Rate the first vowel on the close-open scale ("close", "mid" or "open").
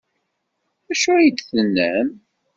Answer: open